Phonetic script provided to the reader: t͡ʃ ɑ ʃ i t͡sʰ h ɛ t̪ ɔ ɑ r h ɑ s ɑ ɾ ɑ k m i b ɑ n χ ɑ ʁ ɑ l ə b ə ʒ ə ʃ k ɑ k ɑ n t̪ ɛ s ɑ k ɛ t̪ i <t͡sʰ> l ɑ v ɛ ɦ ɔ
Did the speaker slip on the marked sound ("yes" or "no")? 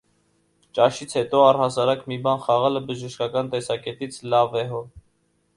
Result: no